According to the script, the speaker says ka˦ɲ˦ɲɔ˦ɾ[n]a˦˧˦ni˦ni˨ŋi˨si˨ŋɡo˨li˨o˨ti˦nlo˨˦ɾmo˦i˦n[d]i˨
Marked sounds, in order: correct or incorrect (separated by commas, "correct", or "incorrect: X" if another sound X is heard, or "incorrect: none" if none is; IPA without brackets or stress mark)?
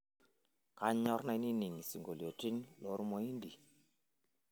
correct, correct